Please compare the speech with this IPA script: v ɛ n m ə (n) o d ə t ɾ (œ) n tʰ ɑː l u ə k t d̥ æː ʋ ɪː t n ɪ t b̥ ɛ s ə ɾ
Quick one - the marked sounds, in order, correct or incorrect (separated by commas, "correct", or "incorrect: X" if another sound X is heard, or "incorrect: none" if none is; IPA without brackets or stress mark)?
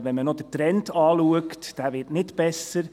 correct, incorrect: ɛ